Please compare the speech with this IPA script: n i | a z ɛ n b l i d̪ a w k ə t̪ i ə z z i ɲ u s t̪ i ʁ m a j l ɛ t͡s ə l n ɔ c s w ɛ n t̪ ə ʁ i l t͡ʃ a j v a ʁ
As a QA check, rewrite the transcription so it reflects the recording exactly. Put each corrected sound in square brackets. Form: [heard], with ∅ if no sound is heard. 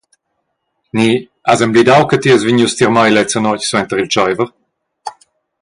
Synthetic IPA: n i | a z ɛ [m] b l i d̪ a w k ə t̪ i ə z [v] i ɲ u s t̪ i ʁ m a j l ɛ t͡s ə [∅] n ɔ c s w ɛ n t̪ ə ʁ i l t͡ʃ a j v [ə] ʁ